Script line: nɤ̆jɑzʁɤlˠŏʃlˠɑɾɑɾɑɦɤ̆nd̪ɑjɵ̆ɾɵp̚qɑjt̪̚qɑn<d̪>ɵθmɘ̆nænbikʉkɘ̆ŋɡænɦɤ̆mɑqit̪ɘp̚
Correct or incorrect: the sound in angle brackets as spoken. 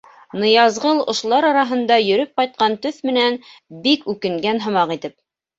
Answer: incorrect: t̪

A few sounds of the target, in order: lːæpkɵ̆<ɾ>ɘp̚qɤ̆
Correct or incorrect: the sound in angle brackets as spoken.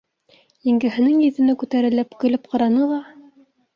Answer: incorrect: l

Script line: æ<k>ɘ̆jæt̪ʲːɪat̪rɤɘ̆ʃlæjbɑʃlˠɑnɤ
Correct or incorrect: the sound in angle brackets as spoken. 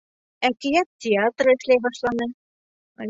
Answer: correct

